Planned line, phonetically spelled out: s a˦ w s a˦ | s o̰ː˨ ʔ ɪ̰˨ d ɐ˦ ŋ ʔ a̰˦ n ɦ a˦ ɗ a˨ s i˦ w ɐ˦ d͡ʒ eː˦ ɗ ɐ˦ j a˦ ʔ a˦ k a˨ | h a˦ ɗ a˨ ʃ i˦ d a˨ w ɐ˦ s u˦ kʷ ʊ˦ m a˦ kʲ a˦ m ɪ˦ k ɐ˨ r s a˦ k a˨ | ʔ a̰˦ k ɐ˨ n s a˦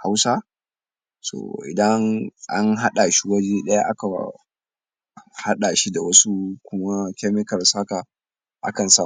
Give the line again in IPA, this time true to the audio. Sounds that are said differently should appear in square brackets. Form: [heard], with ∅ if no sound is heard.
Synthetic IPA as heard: [h] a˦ w s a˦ | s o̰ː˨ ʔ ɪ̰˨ d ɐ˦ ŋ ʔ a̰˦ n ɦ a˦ ɗ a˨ [ʃ] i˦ w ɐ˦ d͡ʒ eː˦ ɗ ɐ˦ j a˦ ʔ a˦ k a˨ | h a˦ ɗ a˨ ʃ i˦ d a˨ w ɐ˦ s u˦ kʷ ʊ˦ m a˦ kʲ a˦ m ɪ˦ k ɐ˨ r s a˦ k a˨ | ʔ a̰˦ k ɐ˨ n s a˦